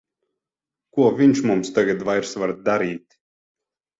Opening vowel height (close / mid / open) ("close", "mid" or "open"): close